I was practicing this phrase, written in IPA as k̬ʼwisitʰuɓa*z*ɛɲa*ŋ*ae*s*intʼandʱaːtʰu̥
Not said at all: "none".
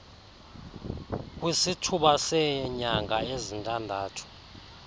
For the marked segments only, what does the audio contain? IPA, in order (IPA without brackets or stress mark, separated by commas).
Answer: s, ŋ, z